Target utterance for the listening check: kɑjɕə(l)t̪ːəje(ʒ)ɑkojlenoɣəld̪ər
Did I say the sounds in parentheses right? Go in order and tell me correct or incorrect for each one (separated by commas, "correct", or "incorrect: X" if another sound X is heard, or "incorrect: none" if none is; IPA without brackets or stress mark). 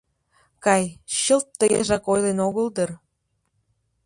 correct, correct